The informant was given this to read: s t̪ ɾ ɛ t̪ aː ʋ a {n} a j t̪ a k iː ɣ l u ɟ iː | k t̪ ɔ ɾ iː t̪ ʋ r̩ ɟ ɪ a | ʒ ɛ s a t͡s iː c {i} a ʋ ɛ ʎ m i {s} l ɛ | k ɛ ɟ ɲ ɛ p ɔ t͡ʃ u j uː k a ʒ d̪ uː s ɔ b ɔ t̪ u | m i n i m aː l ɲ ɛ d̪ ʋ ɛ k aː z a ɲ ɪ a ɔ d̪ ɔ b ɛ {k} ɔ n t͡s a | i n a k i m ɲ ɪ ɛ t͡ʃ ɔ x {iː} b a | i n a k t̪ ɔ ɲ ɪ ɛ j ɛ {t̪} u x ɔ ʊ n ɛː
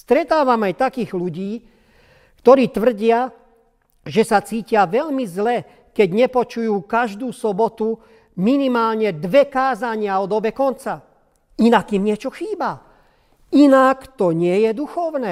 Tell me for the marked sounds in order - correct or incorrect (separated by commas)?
incorrect, incorrect, incorrect, correct, correct, incorrect